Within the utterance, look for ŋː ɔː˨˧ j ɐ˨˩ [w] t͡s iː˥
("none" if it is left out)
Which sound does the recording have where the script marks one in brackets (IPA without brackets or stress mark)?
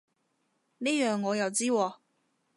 w